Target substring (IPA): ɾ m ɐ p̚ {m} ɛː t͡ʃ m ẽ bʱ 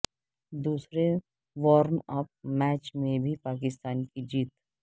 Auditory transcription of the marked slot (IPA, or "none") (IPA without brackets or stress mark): m